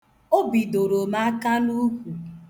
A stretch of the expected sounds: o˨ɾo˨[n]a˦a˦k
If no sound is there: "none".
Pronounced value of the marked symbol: m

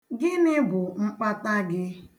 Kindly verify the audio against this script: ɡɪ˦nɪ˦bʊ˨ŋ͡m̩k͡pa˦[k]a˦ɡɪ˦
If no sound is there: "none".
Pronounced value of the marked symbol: t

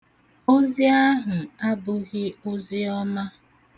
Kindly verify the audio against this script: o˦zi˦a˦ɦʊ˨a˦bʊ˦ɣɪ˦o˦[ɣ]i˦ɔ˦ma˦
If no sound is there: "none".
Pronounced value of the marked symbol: z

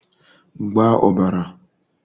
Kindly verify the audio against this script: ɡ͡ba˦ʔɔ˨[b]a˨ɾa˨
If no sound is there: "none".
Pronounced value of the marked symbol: b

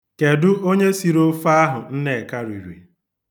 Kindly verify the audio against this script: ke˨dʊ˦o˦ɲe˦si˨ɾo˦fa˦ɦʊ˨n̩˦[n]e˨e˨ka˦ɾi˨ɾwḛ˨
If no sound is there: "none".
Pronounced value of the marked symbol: n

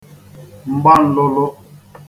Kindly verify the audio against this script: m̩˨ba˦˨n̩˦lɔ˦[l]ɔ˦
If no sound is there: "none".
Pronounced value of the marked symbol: l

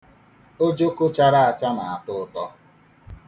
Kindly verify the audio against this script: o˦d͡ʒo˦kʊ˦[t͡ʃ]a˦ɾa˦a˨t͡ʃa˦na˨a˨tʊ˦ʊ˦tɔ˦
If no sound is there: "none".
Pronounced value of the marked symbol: t͡ʃ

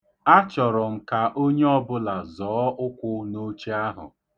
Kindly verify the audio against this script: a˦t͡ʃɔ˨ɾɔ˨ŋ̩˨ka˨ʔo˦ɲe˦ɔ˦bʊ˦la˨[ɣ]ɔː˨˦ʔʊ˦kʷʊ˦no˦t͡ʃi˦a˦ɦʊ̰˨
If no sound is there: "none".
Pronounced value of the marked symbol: z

